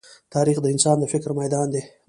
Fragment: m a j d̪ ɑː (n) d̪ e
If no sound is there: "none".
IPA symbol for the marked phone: n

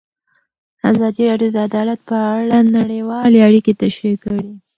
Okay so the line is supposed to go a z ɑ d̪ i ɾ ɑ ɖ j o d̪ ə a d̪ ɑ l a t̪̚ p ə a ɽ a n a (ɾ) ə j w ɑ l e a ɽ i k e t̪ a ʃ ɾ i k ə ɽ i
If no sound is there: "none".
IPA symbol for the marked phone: ɽ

